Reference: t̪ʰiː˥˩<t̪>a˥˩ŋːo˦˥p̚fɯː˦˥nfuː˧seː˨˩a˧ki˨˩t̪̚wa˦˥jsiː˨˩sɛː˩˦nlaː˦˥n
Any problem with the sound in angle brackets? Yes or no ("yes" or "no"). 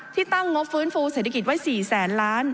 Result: no